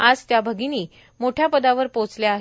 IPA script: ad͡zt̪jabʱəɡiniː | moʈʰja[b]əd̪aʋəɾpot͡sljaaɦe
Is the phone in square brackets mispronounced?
yes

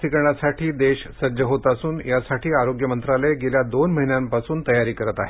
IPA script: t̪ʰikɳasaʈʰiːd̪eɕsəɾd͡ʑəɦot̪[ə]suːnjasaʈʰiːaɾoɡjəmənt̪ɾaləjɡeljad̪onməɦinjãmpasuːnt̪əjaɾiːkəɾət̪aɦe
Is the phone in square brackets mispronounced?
yes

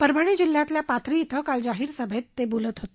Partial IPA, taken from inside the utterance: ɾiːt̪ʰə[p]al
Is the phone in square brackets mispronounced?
yes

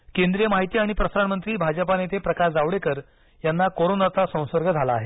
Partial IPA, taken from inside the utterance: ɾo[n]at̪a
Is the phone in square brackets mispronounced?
no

